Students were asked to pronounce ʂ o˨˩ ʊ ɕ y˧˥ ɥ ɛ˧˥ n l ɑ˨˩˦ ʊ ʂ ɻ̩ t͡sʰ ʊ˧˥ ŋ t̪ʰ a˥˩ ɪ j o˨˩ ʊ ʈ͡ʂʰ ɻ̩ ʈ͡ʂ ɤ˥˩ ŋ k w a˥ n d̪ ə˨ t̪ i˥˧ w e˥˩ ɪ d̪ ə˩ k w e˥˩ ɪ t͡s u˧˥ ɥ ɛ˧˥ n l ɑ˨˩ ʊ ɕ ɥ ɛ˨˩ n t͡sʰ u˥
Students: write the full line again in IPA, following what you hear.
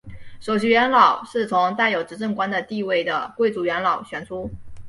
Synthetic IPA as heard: ʂ o˨˩ ʊ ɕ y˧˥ ɥ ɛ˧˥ n l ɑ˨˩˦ ʊ ʂ ɻ̩ t͡sʰ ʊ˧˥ ŋ t̪ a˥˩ ɪ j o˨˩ ʊ ʈ͡ʂ ɻ̩ ʈ͡ʂ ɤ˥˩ ŋ k w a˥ n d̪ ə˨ t̪ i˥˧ w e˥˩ ɪ d̪ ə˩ k w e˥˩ ɪ t͡s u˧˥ ɥ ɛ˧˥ n l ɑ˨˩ ʊ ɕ ɥ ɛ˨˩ n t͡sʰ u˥